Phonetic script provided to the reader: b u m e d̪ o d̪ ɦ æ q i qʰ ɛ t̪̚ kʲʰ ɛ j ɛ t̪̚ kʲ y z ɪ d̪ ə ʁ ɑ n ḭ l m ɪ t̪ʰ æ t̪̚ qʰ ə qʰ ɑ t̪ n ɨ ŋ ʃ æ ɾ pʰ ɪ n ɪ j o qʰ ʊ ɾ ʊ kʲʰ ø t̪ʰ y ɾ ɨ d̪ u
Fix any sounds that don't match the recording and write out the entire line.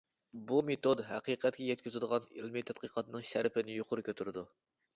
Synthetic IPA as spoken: b u m e t̪ o d̪ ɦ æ q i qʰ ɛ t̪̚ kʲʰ ɛ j ɛ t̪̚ kʲ y z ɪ d̪ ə ʁ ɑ n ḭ l m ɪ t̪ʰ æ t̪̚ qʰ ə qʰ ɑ t̪ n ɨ ŋ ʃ æ ɾ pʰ ɪ n ɪ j o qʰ ʊ ɾ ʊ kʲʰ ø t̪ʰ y ɾ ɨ d̪ u